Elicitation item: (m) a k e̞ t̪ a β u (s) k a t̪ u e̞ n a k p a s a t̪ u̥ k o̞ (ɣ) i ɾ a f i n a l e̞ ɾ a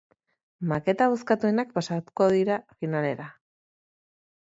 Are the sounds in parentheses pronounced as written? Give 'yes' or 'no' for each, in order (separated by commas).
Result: yes, yes, no